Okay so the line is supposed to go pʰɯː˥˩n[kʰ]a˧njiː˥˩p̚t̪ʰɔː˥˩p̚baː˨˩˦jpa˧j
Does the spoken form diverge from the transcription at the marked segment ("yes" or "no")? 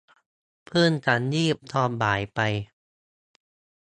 yes